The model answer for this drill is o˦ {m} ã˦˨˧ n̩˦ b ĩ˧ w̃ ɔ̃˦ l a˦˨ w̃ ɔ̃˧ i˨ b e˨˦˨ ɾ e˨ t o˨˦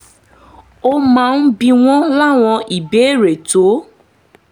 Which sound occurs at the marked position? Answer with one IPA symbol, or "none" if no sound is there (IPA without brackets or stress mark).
m